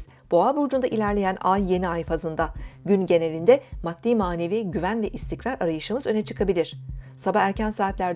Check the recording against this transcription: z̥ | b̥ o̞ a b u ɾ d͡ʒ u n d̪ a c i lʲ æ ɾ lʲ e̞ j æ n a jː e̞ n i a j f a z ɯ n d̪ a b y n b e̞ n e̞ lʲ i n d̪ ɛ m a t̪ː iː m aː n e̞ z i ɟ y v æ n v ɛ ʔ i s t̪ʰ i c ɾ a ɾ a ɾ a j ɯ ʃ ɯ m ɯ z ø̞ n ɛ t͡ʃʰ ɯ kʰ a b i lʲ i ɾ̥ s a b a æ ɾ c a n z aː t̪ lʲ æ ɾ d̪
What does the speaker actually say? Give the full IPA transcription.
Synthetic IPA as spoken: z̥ | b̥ o̞ a b u ɾ d͡ʒ u n d̪ a ʔ i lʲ æ ɾ lʲ e̞ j æ n a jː e̞ n i a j f a z ɯ n d̪ a ɟ y n ɟ e̞ n e̞ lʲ i n d̪ ɛ m a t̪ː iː m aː n e̞ v i ɟ y v æ n v ɛ ʔ i s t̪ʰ i c ɾ a ɾ a ɾ a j ɯ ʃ ɯ m ɯ z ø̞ n ɛ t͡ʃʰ ɯ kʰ a b i lʲ i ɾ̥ s a b a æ ɾ c æ n s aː t̪ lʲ æ ɾ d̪